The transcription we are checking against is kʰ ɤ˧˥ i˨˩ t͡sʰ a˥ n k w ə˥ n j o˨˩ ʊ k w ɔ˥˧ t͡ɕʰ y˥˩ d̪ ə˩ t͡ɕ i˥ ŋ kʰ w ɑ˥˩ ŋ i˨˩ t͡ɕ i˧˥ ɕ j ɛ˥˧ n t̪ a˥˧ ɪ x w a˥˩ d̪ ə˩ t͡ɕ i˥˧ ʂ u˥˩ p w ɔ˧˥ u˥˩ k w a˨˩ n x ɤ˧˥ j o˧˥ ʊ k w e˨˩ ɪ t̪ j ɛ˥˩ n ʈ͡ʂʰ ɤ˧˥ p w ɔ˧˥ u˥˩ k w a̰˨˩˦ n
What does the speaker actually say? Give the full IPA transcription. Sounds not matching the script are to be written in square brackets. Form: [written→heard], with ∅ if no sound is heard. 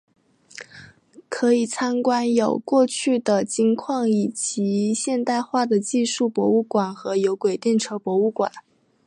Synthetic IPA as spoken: kʰ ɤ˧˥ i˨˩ t͡sʰ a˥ n k w [ə˥→a˥] n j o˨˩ ʊ k w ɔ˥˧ t͡ɕʰ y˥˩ d̪ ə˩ t͡ɕ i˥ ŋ kʰ w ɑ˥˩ ŋ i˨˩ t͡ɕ i˧˥ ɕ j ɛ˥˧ n t̪ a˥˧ ɪ x w a˥˩ d̪ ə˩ t͡ɕ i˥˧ ʂ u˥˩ p w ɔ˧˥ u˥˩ k w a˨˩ n x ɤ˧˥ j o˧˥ ʊ k w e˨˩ ɪ t̪ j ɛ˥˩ n ʈ͡ʂʰ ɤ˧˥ p w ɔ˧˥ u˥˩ k w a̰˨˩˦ n